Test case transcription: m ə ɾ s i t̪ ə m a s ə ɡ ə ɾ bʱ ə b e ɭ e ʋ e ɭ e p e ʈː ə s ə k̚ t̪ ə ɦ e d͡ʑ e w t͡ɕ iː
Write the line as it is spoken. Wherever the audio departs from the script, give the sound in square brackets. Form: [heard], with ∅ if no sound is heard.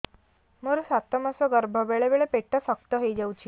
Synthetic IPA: m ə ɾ s [a] t̪ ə m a s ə ɡ ə ɾ bʱ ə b e ɭ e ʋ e ɭ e p e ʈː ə s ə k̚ t̪ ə ɦ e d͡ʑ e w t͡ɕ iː